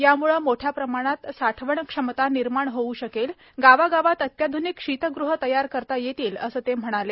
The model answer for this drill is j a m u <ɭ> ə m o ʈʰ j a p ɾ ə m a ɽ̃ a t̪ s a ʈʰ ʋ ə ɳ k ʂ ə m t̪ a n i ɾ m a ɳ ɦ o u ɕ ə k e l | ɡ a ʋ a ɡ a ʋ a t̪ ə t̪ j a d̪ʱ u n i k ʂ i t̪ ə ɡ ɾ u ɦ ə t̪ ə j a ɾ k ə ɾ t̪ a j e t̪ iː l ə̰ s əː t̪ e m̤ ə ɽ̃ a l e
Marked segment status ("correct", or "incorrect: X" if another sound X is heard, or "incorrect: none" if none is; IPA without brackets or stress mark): correct